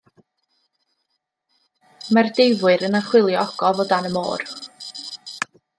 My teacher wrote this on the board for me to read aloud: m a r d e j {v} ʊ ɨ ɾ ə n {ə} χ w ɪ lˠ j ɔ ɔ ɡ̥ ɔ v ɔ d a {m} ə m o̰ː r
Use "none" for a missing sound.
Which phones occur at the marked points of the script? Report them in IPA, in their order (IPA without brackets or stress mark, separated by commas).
v, a, n